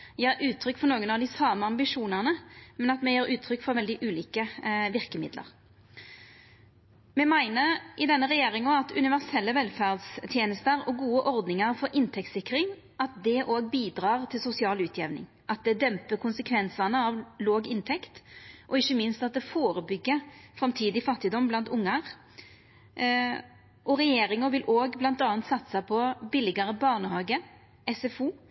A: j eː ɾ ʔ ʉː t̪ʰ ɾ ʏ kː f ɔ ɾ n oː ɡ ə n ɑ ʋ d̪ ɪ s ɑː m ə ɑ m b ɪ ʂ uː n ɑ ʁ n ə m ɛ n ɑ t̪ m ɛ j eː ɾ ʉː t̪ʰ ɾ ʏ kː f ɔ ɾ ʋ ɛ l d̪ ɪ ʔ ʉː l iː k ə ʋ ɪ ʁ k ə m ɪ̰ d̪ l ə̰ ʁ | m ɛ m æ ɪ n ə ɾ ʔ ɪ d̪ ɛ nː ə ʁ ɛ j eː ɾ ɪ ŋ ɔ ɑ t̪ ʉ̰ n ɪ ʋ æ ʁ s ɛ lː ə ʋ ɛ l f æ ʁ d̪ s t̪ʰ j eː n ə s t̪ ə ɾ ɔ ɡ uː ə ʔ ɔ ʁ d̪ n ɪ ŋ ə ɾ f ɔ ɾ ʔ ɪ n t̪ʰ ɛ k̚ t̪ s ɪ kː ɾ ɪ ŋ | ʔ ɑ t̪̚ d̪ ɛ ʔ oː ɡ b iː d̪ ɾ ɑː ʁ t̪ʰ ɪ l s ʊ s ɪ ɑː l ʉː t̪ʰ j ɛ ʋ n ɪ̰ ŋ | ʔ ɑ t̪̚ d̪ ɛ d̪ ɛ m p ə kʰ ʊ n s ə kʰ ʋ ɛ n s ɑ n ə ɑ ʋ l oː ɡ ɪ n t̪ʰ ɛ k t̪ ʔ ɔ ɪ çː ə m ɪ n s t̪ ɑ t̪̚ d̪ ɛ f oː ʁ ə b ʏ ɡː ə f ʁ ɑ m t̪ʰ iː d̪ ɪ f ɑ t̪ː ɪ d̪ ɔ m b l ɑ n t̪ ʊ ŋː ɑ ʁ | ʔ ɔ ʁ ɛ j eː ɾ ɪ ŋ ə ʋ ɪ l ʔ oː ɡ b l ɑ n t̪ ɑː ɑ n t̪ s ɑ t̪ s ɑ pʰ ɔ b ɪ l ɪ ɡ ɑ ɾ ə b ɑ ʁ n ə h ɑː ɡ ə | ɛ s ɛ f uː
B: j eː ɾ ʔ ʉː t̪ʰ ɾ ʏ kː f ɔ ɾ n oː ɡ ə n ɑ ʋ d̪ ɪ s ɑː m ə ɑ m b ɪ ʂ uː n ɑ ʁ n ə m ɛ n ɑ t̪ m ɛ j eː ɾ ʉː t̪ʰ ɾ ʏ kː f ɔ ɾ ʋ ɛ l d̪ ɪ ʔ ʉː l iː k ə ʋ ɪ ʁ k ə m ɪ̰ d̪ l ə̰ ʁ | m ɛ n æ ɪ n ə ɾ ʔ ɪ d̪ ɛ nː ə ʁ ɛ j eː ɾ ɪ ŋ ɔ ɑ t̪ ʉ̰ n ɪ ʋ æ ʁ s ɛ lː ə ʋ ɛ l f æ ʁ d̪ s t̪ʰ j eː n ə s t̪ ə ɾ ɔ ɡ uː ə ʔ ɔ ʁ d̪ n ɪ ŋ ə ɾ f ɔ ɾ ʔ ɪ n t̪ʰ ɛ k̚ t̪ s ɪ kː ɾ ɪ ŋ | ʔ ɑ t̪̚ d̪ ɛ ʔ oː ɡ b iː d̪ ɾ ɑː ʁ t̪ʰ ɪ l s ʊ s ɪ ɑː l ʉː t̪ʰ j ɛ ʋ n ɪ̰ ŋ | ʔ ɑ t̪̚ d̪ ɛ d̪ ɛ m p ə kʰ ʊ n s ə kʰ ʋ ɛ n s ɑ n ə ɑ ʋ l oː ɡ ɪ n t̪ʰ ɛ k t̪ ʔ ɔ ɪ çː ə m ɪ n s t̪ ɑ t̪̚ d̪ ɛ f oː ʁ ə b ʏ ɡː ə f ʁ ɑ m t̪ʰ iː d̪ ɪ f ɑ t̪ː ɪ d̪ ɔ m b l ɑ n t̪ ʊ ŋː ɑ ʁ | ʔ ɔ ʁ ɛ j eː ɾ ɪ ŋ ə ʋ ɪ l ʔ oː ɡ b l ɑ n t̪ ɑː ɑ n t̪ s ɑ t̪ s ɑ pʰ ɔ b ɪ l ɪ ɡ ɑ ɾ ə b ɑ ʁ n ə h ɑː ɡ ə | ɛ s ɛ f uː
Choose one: A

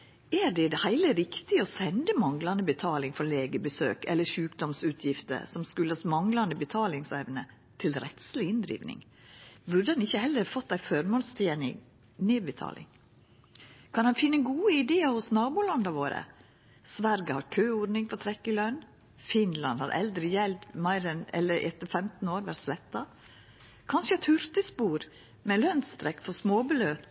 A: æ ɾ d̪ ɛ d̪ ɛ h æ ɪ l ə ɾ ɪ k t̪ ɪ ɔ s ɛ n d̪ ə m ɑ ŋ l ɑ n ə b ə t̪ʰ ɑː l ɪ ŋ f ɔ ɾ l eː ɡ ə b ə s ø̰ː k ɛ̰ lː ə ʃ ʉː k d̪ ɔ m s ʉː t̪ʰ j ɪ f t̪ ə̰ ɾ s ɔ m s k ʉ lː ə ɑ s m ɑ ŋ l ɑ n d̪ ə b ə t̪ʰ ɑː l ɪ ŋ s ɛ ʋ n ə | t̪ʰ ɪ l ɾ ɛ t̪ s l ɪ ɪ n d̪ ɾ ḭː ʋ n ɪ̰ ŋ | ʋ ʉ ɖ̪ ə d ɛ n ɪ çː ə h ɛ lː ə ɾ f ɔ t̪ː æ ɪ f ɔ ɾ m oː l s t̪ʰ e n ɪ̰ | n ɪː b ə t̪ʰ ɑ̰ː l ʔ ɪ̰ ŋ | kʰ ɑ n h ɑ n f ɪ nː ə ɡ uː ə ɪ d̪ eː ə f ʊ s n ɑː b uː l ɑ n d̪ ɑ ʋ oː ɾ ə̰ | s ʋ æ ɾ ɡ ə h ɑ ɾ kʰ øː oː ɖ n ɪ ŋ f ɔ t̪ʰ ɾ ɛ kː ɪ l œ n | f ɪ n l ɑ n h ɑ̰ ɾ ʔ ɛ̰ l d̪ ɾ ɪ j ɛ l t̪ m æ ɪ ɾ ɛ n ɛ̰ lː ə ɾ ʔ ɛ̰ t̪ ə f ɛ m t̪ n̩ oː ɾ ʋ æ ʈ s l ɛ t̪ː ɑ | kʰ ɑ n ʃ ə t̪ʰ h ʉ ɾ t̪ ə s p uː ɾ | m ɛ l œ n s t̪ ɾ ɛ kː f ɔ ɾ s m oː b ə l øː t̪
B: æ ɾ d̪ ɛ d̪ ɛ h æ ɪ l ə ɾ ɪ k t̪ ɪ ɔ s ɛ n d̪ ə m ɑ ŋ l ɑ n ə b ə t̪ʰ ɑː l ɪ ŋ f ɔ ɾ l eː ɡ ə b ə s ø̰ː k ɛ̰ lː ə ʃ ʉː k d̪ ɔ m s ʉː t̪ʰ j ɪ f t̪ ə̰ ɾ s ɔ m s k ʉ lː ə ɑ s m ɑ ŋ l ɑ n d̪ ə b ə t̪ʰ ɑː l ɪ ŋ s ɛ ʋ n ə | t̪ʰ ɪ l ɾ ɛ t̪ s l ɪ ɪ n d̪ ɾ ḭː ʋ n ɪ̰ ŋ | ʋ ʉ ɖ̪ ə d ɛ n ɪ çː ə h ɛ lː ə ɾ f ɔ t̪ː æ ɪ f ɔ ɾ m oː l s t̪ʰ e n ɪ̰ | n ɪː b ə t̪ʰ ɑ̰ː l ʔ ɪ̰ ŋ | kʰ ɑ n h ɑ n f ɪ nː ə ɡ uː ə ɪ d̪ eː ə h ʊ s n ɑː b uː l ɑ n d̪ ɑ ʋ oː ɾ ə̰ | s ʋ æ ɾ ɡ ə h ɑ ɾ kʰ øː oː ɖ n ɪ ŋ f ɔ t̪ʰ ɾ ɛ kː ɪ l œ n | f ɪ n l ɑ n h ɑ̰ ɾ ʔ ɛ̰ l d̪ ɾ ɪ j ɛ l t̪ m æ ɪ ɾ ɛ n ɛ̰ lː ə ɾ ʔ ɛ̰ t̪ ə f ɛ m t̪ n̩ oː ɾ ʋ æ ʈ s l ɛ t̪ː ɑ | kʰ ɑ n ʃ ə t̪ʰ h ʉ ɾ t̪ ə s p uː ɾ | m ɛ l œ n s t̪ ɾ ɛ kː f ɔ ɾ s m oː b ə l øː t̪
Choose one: B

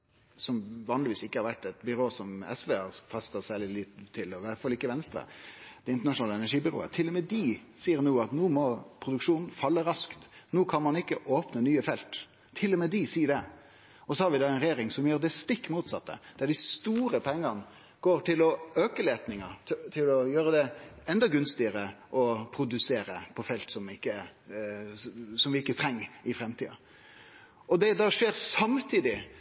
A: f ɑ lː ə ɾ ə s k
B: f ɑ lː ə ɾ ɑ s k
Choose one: B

